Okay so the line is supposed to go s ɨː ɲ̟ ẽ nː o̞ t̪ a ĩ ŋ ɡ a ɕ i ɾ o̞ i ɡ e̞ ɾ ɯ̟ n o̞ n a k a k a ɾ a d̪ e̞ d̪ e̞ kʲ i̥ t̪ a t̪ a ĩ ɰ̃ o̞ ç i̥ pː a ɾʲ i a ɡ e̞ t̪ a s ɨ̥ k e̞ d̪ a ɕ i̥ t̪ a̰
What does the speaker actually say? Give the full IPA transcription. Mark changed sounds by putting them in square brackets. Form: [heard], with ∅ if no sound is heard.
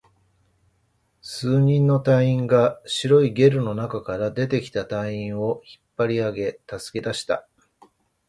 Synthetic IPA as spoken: s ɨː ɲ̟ [ĩ] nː o̞ t̪ a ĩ ŋ ɡ a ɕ i ɾ o̞ i ɡ e̞ ɾ ɯ̟ n o̞ n a k a k a ɾ a d̪ e̞ [t̪] e̞ kʲ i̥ t̪ a t̪ a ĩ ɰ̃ o̞ ç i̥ pː a ɾʲ i a ɡ e̞ t̪ a s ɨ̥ k e̞ d̪ a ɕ i̥ t̪ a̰